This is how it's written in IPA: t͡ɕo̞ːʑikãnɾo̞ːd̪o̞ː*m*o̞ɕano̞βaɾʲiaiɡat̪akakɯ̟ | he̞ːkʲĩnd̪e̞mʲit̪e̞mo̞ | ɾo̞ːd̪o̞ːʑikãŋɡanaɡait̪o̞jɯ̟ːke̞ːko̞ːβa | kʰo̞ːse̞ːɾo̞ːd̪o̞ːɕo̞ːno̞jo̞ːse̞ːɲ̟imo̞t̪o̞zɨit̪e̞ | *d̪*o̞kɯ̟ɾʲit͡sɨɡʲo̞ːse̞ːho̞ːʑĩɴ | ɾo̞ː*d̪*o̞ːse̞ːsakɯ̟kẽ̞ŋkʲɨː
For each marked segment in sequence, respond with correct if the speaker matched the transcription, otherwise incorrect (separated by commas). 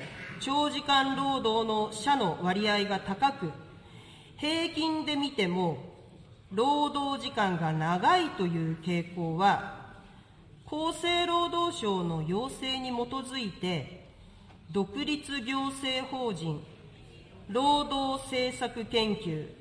incorrect, correct, correct